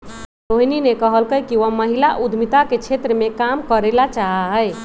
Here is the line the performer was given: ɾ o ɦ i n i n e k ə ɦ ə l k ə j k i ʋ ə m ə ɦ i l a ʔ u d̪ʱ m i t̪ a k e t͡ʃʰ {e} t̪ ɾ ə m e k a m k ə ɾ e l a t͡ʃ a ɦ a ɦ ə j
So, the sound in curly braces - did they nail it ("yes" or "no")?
yes